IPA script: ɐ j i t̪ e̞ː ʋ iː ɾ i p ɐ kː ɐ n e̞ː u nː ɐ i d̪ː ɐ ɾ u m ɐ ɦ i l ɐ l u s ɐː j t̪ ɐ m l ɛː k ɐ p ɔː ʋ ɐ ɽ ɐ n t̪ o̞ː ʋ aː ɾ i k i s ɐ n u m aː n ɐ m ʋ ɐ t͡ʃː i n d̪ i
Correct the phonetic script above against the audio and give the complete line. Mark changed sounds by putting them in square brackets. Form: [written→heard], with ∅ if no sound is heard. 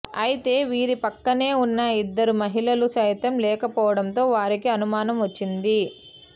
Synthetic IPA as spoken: ɐ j i t̪ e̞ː ʋ iː ɾ i p ɐ kː ɐ n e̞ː u nː ɐ i d̪ː ɐ ɾ u m ɐ ɦ i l ɐ l u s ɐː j t̪ ɐ m l ɛː k ɐ p ɔː ʋ ɐ ɽ ɐ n t̪ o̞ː ʋ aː ɾ i k i [s→∅] ɐ n u m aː n ɐ m ʋ ɐ t͡ʃː i n d̪ i